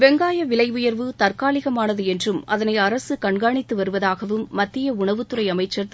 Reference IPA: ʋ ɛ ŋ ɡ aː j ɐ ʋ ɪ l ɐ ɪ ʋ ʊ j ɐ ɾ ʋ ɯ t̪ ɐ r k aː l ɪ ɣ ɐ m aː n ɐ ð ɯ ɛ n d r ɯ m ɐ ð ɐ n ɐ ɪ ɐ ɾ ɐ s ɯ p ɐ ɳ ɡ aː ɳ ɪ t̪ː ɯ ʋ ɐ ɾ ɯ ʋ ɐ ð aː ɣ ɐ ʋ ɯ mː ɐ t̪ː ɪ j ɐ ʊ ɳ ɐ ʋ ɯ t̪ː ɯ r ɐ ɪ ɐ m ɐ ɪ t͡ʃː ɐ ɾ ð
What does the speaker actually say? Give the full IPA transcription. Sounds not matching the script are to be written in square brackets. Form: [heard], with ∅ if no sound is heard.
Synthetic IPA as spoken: ʋ ɛ ŋ ɡ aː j ɐ ʋ ɪ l ɐ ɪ ʋ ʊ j ɐ ɾ ʋ ɯ t̪ ɐ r k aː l ɪ ɣ ɐ m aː n ɐ ð ɯ ɛ n d r ɯ m ɐ ð ɐ n ɐ ɪ ɐ ɾ ɐ s ɯ [k] ɐ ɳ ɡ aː ɳ ɪ t̪ː ɯ ʋ ɐ ɾ ɯ ʋ ɐ ð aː ɣ ɐ ʋ ɯ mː ɐ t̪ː ɪ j ɐ ʊ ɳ ɐ ʋ ɯ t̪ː ɯ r ɐ ɪ ɐ m ɐ ɪ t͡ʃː ɐ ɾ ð

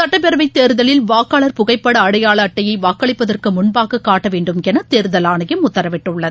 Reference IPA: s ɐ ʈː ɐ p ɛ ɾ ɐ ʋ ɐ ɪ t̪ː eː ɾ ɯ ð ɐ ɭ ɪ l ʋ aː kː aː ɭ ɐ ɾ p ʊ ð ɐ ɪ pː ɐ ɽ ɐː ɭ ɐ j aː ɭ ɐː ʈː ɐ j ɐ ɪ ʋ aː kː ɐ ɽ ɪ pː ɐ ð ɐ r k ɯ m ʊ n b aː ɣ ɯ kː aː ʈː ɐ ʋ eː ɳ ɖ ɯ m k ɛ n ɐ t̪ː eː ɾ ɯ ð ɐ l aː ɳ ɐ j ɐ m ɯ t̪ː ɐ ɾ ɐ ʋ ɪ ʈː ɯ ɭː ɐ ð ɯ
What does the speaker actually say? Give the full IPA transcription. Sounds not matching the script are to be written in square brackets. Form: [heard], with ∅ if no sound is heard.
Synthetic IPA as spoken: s ɐ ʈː ɐ p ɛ ɾ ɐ ʋ ɐ ɪ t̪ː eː ɾ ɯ ð ɐ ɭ ɪ l ʋ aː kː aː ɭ ɐ ɾ p ʊ [ɣ] ɐ ɪ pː ɐ ɽ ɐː [ɽ] ɐ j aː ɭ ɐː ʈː ɐ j ɐ ɪ ʋ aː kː ɐ [ɭ] ɪ pː ɐ ð ɐ r k ɯ m ʊ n b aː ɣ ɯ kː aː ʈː ɐ ʋ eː ɳ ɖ ɯ m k ɛ n ɐ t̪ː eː ɾ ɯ ð ɐ l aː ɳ ɐ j ɐ m [ʊ] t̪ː ɐ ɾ ɐ ʋ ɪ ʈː ɯ ɭː ɐ ð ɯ

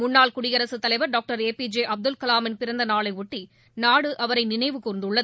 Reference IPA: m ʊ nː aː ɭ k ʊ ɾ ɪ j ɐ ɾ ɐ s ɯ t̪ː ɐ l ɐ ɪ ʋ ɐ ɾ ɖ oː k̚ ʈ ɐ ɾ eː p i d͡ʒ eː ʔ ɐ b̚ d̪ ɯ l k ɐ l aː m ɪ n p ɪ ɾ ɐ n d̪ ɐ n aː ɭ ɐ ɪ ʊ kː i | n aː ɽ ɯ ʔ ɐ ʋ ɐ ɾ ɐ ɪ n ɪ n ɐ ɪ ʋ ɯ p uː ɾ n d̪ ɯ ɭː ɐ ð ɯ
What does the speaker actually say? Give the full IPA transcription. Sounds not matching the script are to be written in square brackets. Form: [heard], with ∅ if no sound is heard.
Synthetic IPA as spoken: m ʊ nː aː ɭ k ʊ [ɽ] ɪ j ɐ ɾ ɐ s ɯ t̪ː ɐ l ɐ ɪ ʋ ɐ ɾ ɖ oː k̚ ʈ ɐ ɾ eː p i d͡ʒ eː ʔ ɐ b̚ d̪ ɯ l k ɐ l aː m ɪ n p ɪ ɾ ɐ n d̪ ɐ n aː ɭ ɐ ɪ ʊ [ʈː] i | n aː ɽ ɯ ʔ ɐ ʋ ɐ ɾ ɐ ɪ n ɪ n ɐ ɪ ʋ ɯ [k] uː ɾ n d̪ ɯ ɭː ɐ ð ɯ

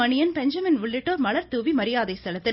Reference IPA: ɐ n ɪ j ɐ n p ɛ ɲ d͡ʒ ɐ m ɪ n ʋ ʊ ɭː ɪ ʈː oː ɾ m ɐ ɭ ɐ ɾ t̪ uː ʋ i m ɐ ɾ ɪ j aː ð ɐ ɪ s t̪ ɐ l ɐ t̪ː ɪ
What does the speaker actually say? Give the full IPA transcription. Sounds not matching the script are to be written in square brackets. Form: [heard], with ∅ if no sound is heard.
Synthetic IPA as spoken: ɐ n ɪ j ɐ n p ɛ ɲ d͡ʒ ɐ m ɪ n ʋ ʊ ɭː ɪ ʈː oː ɾ m ɐ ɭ ɐ ɾ t̪ uː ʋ i m ɐ ɾ ɪ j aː ð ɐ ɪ s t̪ ɐ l ɐ t̪ː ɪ

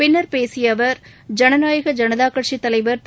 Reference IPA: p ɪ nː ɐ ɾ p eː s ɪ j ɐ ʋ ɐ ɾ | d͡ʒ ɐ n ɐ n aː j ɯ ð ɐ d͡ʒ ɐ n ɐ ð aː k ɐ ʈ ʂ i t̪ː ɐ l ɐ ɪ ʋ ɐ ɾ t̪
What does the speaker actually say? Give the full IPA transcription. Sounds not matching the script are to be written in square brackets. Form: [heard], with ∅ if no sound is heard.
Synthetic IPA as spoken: p ɪ nː ɐ ɾ p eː s ɪ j ɐ ʋ ɐ ɾ | d͡ʒ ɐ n ɐ n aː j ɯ [ɣ] ɐ d͡ʒ ɐ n ɐ ð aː k ɐ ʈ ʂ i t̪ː ɐ l ɐ ɪ ʋ ɐ ɾ t̪

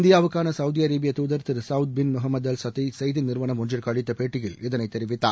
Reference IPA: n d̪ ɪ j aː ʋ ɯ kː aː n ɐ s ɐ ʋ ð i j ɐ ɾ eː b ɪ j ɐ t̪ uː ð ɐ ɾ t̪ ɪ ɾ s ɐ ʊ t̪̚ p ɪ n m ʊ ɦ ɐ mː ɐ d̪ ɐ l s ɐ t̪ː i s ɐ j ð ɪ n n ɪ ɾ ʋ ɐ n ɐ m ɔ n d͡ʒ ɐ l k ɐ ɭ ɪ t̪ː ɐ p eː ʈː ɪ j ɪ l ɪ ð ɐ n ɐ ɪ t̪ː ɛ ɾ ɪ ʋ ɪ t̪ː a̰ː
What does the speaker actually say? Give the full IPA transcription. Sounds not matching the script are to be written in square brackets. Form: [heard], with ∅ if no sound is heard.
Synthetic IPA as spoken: n d̪ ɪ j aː ʋ ɯ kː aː n ɐ s ɐ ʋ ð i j ɐ ɾ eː b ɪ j ɐ t̪ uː ð ɐ ɾ t̪ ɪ ɾ s ɐ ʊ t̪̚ [b] ɪ n m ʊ ɦ ɐ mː ɐ d̪ ɐ l s ɐ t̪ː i s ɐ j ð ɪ n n ɪ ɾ ʋ ɐ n ɐ m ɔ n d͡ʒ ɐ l k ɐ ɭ ɪ t̪ː ɐ p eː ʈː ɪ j ɪ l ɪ ð ɐ n ɐ ɪ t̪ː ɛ ɾ ɪ ʋ ɪ t̪ː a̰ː

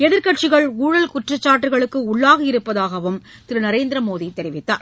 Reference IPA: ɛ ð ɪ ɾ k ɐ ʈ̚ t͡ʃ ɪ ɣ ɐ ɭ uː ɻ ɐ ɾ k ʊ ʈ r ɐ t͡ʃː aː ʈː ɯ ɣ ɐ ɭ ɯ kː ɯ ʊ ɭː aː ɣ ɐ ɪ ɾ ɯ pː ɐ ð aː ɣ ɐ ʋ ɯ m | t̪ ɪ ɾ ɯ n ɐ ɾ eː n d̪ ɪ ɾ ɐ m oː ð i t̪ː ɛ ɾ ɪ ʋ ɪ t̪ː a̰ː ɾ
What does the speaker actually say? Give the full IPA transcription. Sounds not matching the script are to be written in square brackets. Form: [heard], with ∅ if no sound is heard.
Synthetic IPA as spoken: ɛ ð ɪ ɾ k ɐ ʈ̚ t͡ʃ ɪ ɣ ɐ ɭ uː ɻ ɐ [l] k ʊ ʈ r ɐ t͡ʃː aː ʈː ɯ ɣ ɐ ɭ ɯ kː ɯ ʊ ɭː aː ɣ ɐ ɪ ɾ ɯ pː ɐ ð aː ɣ ɐ ʋ ɯ m | t̪ ɪ ɾ ɯ n ɐ ɾ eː n d̪ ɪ ɾ ɐ m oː ð i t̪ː ɛ ɾ ɪ ʋ ɪ t̪ː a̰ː ɾ

